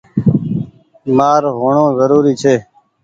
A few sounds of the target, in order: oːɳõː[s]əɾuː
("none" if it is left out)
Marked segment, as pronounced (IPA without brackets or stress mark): z